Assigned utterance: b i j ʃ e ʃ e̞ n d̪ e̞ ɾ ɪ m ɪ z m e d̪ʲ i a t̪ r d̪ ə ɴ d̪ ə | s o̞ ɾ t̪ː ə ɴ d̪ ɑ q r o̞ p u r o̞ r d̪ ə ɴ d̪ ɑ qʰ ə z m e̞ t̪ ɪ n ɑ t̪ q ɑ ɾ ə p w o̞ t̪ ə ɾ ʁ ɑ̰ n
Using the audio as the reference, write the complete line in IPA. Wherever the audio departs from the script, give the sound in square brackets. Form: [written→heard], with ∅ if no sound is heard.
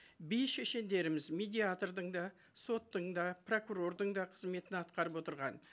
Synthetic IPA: b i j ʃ e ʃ e̞ n d̪ e̞ ɾ ɪ m ɪ z m e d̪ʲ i a t̪ r d̪ ə ɴ d̪ [ə→ɑ] | s o̞ [ɾ→∅] t̪ː ə ɴ d̪ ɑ [q→p] r o̞ [p→k] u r o̞ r d̪ ə ɴ d̪ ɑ qʰ ə z m e̞ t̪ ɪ n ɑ t̪ q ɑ ɾ ə p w o̞ t̪ ə ɾ ʁ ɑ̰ n